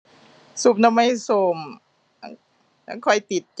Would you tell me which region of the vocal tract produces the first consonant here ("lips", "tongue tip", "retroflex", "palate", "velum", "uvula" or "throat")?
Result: tongue tip